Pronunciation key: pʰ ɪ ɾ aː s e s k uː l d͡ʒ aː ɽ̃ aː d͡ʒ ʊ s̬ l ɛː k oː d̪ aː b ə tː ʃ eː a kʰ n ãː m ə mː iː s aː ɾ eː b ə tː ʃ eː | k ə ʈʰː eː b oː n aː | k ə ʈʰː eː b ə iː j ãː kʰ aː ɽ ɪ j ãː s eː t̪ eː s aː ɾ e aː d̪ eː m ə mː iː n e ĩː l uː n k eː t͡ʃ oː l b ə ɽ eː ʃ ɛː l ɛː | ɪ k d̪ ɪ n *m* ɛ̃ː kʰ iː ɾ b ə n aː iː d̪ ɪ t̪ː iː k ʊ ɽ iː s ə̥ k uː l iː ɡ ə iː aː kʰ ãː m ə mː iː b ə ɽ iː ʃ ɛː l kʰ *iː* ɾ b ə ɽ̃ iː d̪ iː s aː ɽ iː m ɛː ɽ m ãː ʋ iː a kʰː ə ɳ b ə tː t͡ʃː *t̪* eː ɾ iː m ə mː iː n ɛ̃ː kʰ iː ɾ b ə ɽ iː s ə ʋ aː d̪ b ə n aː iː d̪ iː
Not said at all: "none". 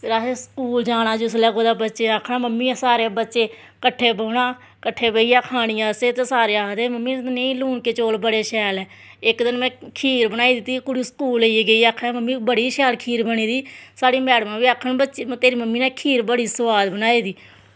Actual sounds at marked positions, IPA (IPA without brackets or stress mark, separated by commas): m, iː, t̪